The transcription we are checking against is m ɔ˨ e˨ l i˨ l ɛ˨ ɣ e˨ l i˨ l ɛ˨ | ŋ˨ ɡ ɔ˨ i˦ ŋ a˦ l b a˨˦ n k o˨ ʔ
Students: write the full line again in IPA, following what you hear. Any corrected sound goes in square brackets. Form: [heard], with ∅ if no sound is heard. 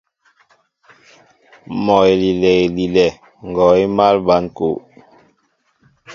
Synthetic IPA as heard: m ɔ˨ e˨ l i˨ l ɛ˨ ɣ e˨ l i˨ l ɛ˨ | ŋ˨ ɡ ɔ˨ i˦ [m] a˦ l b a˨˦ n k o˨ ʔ

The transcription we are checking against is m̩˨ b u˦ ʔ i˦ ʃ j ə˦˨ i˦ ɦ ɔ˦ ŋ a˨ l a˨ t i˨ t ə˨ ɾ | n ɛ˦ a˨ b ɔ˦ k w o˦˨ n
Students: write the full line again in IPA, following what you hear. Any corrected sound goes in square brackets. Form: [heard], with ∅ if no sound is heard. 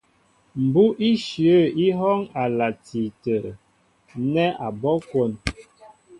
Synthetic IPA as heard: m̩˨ b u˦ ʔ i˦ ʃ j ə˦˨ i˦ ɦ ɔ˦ ŋ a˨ l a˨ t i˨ t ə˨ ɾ | n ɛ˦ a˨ b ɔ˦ k w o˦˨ n

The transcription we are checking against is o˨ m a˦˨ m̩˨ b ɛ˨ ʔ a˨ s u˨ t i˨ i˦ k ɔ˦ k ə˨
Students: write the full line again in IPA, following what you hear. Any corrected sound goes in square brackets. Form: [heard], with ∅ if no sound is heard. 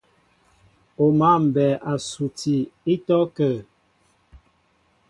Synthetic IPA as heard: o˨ m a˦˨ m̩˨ b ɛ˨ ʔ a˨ s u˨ t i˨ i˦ [t] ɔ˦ k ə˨

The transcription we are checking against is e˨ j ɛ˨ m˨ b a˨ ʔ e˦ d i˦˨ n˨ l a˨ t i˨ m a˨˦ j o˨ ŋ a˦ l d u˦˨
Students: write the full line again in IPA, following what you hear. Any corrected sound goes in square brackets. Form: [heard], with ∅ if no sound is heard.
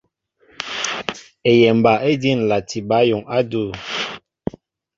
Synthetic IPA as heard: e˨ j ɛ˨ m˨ b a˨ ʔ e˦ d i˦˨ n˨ l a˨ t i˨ [b] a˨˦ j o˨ ŋ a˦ [∅] d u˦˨

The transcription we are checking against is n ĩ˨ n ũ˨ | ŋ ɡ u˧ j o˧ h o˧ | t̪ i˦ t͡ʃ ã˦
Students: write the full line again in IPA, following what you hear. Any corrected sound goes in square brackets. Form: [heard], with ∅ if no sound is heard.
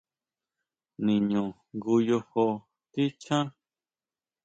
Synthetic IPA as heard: n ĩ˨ [ɲ] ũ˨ | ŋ ɡ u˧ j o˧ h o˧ | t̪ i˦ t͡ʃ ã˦

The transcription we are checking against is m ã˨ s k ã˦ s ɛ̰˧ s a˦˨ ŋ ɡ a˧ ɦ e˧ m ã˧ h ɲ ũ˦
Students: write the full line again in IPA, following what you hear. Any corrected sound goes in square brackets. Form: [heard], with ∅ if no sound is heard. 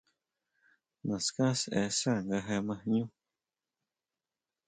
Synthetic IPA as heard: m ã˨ s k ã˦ s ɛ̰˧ s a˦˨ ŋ ɡ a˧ ɦ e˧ m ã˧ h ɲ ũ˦

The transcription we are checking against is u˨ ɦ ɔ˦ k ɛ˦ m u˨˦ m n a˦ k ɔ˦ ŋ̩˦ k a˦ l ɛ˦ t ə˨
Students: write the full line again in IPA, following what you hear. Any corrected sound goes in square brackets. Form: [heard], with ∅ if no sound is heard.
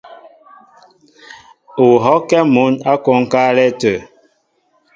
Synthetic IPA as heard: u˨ ɦ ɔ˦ k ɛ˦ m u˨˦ [∅] n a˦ k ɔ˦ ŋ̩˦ k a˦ l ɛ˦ t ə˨

